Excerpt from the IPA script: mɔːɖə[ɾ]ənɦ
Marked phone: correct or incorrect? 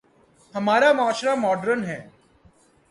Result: correct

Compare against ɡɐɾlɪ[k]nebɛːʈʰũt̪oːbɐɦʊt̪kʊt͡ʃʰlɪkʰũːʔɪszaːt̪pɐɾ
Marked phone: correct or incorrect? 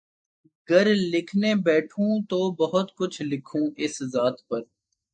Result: incorrect: kʰ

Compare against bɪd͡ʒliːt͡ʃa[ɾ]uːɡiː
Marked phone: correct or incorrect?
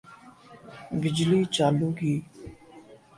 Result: incorrect: l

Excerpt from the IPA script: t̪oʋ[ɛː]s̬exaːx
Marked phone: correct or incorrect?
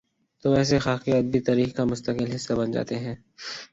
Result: correct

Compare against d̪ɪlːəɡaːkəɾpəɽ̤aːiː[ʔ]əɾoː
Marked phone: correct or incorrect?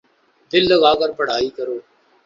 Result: incorrect: k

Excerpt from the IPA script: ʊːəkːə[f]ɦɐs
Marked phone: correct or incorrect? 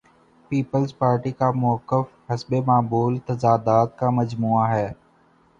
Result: correct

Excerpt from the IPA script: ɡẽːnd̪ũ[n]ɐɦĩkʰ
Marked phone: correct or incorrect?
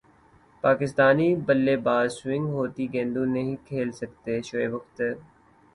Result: correct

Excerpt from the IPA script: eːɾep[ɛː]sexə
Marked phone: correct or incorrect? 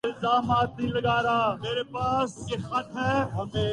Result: incorrect: aː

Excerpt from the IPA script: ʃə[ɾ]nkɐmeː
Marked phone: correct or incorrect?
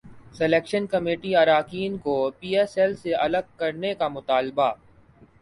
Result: incorrect: none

